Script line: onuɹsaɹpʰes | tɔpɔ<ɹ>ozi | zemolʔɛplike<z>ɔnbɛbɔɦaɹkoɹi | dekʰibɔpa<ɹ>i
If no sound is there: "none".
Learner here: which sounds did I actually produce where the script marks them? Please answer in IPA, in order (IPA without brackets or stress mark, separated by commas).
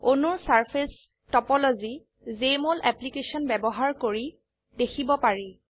l, s, ɹ